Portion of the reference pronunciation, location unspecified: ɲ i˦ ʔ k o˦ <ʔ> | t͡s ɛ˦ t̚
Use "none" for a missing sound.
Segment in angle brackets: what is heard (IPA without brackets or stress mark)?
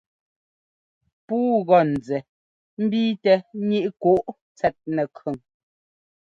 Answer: ʔ